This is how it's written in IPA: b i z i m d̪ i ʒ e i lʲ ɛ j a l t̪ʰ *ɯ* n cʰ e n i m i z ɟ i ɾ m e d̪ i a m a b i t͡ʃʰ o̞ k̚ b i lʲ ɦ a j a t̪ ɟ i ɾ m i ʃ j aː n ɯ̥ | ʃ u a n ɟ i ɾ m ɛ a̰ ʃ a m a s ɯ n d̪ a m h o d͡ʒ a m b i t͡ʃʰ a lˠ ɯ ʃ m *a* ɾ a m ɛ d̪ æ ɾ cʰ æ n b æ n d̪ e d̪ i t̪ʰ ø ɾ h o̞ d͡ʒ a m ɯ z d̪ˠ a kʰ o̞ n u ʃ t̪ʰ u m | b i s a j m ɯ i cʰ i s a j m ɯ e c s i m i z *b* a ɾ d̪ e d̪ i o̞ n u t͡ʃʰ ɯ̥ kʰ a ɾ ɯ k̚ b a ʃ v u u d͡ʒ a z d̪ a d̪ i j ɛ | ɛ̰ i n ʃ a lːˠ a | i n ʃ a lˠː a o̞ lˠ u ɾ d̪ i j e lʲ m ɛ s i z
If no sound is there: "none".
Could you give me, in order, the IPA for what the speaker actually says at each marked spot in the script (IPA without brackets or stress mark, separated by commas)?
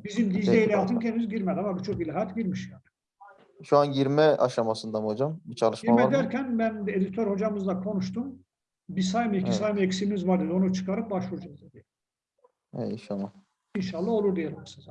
ɯ, i, v